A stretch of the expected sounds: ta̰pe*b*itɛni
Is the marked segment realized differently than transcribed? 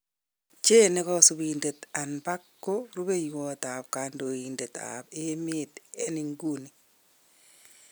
yes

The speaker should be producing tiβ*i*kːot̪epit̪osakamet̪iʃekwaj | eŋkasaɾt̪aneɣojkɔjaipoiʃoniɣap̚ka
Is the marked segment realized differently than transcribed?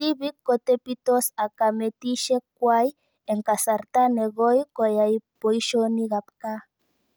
no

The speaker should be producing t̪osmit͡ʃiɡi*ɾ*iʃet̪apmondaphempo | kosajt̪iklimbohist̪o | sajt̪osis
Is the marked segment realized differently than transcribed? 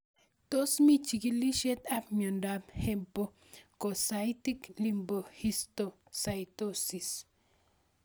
yes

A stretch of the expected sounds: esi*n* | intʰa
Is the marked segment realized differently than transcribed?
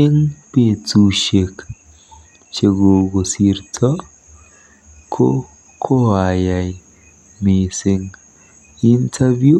yes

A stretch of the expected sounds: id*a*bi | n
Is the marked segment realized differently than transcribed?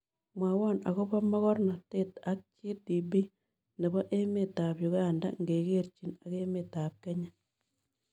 yes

